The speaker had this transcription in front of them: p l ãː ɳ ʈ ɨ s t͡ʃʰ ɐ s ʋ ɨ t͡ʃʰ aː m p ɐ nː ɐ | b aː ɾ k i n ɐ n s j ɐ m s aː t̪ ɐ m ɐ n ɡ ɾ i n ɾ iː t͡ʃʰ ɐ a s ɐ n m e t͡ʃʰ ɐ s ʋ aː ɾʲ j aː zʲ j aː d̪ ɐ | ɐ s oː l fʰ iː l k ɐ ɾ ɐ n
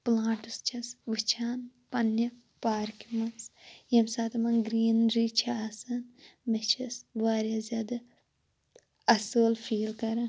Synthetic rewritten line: p l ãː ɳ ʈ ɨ s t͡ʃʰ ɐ s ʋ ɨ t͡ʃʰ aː n p ɐ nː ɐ | p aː ɾ k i m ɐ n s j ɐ m s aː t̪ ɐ m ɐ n ɡ ɾ iː n ɾ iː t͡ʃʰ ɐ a s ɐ n m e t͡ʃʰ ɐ s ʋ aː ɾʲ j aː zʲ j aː d̪ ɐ | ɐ s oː l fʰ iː l k ɐ ɾ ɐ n